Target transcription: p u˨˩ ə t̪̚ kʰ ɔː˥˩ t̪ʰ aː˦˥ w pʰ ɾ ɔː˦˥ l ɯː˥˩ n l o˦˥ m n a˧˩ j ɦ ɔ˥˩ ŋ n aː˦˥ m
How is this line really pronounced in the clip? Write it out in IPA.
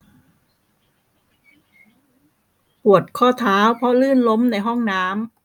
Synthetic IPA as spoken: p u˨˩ ə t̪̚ kʰ ɔː˥˩ t̪ʰ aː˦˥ w pʰ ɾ ɔ˦˥ l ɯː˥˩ n l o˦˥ m n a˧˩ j ɦ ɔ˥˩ ŋ n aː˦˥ m